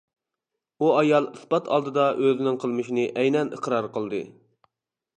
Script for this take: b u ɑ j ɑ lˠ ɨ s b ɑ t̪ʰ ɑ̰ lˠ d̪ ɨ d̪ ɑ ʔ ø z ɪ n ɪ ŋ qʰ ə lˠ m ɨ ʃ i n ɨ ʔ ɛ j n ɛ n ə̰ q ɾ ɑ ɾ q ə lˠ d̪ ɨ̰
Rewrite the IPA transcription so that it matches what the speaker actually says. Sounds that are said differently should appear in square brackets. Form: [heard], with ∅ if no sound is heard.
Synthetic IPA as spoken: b u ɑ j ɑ lˠ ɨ s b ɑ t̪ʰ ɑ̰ lˠ d̪ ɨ d̪ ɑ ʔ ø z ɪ n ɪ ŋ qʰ ə lˠ m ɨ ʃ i n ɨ ʔ ɛ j n ɛ n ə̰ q ɾ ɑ ɾ q ə lˠ d̪ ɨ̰

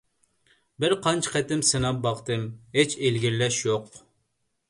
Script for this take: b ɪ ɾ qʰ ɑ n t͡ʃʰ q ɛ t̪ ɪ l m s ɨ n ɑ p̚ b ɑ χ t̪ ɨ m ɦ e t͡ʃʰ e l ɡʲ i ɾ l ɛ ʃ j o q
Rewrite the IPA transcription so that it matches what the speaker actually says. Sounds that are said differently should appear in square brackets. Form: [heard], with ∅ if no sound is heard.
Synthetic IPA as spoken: b ɪ ɾ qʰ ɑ n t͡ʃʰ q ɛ t̪ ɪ [∅] m s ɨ n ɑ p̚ b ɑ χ t̪ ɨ m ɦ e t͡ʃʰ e l ɡʲ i ɾ l ɛ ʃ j o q

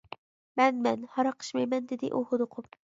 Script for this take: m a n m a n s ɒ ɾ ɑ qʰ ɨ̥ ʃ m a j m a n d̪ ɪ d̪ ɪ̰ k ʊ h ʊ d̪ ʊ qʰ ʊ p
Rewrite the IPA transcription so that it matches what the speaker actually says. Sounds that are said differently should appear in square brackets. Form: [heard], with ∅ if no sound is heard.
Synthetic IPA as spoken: m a n m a n [h] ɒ ɾ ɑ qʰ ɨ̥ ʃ m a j m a n d̪ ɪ d̪ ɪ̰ [ʔ] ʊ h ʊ d̪ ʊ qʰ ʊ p

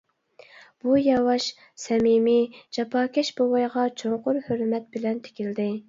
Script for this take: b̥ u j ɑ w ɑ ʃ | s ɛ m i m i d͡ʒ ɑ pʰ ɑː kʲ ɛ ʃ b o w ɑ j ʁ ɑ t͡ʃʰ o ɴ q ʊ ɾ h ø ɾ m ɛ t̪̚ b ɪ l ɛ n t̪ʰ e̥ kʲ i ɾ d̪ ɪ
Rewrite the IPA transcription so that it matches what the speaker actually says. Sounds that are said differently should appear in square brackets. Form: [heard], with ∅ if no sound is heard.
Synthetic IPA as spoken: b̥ u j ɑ w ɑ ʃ | s ɛ m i m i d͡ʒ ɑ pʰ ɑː kʲ ɛ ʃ b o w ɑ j ʁ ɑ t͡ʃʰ o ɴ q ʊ ɾ h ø ɾ m ɛ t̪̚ b ɪ l ɛ n t̪ʰ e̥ kʲ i [l] d̪ ɪ

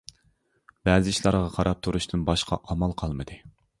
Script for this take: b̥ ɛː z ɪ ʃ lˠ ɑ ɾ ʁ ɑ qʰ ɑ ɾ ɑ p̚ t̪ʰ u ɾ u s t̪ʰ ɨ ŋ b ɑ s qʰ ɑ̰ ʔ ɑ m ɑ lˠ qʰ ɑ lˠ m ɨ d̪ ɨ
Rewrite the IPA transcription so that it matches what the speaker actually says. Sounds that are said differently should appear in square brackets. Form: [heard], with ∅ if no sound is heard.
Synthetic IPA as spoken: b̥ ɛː z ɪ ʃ lˠ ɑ ɾ ʁ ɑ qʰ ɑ ɾ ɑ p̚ t̪ʰ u ɾ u [ʃ] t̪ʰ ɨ [n] b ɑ [ʃ] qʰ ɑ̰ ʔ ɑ m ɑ lˠ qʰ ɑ lˠ m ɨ d̪ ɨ

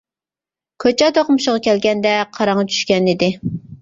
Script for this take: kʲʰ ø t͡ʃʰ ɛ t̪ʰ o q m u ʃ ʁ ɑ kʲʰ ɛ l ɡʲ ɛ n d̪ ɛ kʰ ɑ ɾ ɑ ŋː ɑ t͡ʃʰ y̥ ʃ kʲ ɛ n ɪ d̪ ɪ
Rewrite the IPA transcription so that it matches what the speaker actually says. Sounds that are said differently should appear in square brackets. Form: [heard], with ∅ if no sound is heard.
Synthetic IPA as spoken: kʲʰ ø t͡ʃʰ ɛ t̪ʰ o q m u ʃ ʁ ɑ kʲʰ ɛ l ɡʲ ɛ n d̪ ɛ [qʰ] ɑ ɾ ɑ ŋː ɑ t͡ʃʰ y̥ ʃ kʲ ɛ n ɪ d̪ ɪ

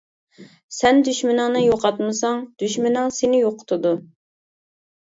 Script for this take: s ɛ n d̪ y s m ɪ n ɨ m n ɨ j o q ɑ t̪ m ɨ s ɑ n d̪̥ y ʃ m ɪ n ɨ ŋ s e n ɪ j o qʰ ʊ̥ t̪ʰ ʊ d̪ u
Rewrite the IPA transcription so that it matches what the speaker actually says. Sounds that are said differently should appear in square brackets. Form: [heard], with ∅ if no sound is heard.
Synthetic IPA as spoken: s ɛ n d̪ y [ʃ] m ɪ n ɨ [ŋ] n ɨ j o q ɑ t̪ m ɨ s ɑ [ŋ] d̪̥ y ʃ m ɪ n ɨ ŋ s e n ɪ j o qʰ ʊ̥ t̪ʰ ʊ d̪ u

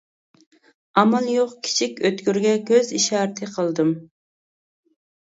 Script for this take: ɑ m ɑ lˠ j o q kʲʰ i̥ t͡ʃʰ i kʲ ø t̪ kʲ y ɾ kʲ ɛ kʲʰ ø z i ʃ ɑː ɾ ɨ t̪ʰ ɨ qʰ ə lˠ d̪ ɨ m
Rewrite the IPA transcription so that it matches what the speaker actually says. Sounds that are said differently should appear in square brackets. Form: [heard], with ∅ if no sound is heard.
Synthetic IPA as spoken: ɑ m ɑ lˠ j o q kʲʰ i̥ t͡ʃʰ i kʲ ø t̪ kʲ y ɾ [ɡʲ] ɛ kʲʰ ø z i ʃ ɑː ɾ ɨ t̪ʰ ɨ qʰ ə lˠ d̪ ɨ m

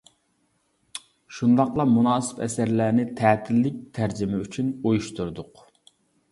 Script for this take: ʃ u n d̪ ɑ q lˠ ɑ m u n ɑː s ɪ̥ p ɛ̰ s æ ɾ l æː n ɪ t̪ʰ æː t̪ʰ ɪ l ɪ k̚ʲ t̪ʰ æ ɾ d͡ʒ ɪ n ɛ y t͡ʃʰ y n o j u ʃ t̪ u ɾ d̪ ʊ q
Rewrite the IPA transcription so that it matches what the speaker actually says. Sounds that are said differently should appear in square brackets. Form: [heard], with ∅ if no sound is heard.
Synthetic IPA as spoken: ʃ u n d̪ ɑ q lˠ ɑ m u n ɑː s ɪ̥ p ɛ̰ s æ ɾ l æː n ɪ t̪ʰ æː t̪ʰ ɪ [lː] ɪ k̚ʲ t̪ʰ æ ɾ d͡ʒ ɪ [m] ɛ y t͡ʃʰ y n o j u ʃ t̪ u ɾ d̪ ʊ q

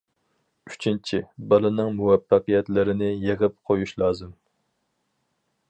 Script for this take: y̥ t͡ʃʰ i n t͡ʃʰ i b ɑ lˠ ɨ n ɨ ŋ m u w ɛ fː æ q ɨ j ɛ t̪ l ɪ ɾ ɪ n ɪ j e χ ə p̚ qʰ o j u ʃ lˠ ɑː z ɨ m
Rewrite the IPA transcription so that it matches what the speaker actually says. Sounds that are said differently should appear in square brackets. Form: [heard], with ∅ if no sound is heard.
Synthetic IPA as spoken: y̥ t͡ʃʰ i n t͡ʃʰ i b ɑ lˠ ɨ n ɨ ŋ m u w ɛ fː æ q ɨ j ɛ t̪ l ɪ ɾ ɪ n ɪ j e [ʁ] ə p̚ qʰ o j u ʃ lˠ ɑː z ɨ m

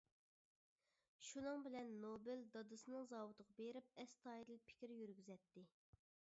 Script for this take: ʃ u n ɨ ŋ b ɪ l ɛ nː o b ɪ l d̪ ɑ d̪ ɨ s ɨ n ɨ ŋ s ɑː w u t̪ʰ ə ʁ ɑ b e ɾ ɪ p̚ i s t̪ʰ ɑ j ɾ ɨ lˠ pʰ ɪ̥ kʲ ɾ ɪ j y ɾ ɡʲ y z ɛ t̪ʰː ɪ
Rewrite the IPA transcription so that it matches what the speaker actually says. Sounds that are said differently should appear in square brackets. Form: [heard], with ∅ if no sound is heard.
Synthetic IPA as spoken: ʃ u n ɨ ŋ b ɪ l ɛ nː o b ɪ l d̪ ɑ d̪ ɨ s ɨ n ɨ ŋ [z] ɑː w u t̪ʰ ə ʁ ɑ b e ɾ ɪ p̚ [ɛ] s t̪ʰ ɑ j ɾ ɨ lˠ pʰ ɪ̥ kʲ ɾ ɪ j y ɾ ɡʲ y z ɛ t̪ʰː ɪ

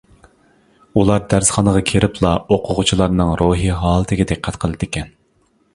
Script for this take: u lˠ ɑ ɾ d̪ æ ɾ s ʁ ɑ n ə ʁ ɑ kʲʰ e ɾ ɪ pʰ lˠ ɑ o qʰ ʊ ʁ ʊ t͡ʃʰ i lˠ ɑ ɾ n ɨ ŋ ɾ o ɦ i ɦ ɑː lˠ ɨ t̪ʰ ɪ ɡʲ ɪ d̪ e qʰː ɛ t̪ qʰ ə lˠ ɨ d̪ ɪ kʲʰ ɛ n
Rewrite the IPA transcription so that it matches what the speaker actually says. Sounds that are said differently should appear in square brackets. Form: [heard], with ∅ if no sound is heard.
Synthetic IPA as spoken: u lˠ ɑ ɾ d̪ æ ɾ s [χ] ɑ n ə ʁ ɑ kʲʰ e ɾ ɪ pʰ lˠ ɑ o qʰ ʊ ʁ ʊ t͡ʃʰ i lˠ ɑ ɾ n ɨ ŋ ɾ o ɦ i ɦ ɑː lˠ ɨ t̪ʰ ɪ ɡʲ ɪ d̪ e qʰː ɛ t̪ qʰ ə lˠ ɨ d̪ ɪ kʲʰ ɛ n

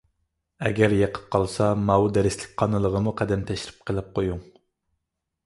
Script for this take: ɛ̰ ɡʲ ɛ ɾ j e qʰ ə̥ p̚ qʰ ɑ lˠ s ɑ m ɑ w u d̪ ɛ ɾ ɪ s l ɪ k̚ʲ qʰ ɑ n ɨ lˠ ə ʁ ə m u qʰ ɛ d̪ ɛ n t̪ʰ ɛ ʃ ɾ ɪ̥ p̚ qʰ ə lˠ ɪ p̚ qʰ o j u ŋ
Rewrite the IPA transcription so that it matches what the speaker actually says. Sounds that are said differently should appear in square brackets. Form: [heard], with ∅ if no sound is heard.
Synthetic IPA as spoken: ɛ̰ ɡʲ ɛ ɾ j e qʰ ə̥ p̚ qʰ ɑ lˠ s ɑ m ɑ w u d̪ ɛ ɾ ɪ s l ɪ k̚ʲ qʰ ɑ n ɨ lˠ ə ʁ ə m u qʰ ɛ d̪ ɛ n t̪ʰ ɛ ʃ ɾ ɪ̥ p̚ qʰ ə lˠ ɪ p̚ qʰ o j u ŋ

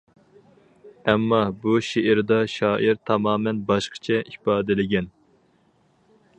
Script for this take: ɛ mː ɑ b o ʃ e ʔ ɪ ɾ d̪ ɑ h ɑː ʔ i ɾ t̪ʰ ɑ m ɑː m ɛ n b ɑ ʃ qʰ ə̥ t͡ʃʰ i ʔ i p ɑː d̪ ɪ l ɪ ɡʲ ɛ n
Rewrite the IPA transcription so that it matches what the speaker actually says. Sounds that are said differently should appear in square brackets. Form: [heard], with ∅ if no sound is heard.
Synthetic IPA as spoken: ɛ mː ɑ b [u] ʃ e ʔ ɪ ɾ d̪ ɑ [ʃ] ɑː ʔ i ɾ t̪ʰ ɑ m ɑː m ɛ n b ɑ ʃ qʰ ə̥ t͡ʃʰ [ɛ] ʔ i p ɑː d̪ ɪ l ɪ ɡʲ ɛ n

